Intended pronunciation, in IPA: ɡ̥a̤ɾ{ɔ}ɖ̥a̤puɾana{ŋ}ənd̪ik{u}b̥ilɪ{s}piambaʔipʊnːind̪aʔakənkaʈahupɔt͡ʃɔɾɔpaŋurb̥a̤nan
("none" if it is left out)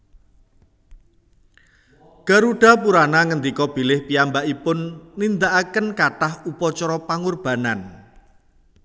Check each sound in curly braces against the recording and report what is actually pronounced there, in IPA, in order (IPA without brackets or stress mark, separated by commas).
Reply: u, ŋ, ɔ, h